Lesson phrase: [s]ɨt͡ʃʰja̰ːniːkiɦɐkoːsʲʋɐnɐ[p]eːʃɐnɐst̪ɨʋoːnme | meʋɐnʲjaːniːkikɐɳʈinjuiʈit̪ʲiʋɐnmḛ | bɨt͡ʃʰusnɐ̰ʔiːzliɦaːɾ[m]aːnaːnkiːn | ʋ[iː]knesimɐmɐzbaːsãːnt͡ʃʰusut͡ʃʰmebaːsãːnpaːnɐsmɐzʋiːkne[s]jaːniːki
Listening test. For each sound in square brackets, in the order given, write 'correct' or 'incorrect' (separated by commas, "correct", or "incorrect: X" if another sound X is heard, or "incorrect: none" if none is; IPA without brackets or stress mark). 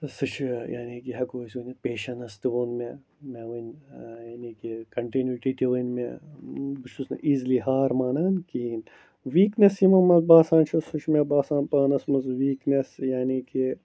correct, correct, correct, correct, correct